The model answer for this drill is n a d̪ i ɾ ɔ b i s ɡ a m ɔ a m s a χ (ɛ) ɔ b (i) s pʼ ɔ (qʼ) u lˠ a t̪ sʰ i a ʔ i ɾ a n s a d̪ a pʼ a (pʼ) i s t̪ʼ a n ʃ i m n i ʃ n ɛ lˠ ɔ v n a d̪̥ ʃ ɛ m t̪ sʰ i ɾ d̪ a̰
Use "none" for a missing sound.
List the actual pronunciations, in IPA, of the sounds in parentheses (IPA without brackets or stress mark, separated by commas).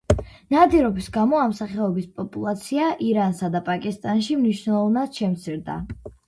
ɛ, i, pʼ, kʼ